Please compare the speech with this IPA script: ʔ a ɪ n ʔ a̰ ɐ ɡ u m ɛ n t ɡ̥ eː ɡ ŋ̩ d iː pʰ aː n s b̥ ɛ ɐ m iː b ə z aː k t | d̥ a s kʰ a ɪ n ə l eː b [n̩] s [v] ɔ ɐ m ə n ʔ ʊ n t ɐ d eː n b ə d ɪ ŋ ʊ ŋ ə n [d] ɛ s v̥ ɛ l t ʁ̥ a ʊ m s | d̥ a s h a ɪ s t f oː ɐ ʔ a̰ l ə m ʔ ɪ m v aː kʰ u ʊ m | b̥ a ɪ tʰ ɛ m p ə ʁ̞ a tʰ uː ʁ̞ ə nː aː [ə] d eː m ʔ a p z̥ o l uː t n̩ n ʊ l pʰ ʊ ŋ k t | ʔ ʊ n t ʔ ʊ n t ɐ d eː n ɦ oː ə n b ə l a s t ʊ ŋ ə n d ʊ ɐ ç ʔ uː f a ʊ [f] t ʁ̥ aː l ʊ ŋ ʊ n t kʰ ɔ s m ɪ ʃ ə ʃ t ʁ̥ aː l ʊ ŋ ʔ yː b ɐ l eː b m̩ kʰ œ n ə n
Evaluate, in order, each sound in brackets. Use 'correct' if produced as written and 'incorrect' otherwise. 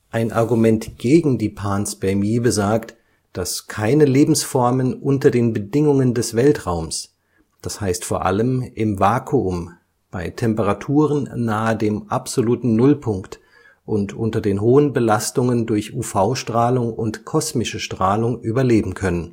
incorrect: m̩, incorrect: f, correct, correct, incorrect: ʃ

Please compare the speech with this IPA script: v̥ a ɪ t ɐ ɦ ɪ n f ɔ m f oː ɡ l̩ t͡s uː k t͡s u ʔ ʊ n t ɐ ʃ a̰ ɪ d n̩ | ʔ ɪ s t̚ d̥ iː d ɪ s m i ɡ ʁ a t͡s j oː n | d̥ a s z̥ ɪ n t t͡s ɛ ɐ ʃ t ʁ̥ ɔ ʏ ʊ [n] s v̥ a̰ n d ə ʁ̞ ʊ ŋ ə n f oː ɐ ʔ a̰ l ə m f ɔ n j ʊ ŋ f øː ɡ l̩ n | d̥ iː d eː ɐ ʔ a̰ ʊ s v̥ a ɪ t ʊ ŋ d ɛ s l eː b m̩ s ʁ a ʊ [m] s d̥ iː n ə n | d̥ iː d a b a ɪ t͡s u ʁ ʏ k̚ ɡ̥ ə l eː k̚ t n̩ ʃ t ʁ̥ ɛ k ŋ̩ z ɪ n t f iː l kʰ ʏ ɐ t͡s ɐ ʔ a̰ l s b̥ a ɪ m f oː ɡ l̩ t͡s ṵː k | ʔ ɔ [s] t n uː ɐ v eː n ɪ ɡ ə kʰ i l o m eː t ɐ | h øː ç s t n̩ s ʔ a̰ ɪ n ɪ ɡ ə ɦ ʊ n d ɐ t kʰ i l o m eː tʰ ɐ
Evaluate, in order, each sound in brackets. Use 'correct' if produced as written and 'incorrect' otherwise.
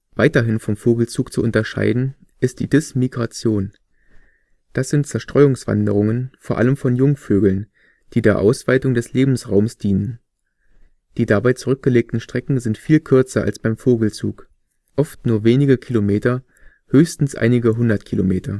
incorrect: ŋ, correct, incorrect: f

